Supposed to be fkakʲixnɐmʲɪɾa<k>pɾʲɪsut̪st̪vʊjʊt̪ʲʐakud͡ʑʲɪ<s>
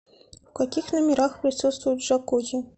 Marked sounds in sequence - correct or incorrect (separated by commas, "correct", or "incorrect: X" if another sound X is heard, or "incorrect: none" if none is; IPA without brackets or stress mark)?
incorrect: x, incorrect: none